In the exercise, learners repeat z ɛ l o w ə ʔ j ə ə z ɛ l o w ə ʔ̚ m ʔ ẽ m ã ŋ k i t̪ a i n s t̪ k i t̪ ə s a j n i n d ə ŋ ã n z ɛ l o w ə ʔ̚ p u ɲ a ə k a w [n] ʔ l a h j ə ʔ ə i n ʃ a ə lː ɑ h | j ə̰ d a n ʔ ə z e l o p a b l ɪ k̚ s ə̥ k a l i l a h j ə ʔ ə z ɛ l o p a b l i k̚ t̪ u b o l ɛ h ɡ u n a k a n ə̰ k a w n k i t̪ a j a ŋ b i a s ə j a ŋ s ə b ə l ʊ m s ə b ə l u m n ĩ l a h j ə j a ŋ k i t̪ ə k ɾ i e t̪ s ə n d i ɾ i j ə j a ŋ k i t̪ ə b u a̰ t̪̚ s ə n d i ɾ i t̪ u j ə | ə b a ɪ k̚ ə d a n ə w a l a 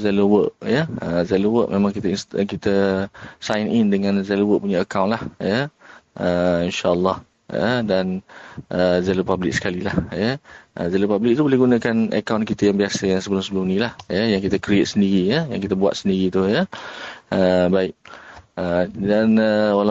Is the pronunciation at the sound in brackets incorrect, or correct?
correct